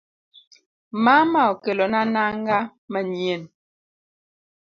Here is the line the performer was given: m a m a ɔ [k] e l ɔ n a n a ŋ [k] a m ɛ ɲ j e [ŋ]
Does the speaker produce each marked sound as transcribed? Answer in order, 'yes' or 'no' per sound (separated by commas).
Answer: yes, no, no